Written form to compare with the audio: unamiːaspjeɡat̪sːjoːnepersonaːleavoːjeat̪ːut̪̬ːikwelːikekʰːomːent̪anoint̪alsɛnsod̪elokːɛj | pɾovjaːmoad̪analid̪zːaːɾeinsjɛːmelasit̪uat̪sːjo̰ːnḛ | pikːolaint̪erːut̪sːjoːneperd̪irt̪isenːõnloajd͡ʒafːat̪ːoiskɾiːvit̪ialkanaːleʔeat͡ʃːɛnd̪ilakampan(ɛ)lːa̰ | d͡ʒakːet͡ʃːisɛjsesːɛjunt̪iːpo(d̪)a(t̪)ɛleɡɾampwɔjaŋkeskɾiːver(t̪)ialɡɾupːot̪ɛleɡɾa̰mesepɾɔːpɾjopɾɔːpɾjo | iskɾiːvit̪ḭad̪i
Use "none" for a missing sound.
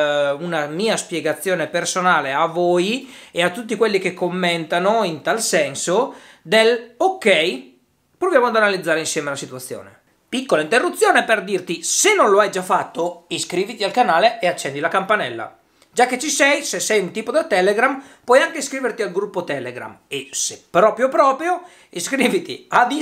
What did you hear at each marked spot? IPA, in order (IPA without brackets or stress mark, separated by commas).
ɛ, d̪, t̪, t̪